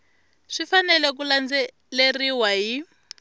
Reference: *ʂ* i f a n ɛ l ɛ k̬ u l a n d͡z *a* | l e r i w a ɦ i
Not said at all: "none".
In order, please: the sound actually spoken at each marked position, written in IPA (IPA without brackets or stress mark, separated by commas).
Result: ʂ, ɛ